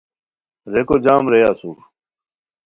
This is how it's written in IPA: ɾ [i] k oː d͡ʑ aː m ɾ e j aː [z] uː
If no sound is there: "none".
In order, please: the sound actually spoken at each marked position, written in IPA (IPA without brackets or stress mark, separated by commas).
e, s